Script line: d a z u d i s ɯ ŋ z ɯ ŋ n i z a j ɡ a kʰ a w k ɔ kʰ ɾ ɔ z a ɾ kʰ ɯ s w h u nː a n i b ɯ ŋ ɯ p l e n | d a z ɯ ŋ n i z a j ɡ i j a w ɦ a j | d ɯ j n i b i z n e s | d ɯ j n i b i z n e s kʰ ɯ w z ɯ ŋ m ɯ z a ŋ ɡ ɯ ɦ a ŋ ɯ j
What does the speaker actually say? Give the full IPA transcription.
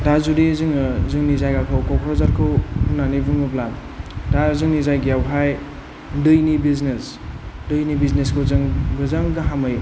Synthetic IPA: d a z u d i z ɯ ŋ z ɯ ŋ n i z a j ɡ a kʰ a w k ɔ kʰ ɾ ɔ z a ɾ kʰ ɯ w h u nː a n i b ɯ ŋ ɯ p l a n | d a z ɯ ŋ n i z a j ɡ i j a w ɦ a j | d ɯ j n i b i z n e s | d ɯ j n i b i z n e s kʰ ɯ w z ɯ ŋ b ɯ z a ŋ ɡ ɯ ɦ a m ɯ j